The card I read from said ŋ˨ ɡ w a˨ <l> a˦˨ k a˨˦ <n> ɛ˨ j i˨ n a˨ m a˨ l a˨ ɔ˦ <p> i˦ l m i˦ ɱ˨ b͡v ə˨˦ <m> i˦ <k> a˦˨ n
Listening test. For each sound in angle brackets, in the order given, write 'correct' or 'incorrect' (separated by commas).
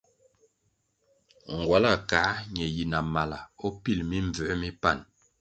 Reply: correct, incorrect, correct, correct, incorrect